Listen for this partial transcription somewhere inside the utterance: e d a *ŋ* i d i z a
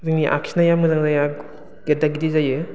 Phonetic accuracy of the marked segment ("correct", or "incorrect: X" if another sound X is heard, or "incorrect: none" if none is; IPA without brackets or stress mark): incorrect: ɡ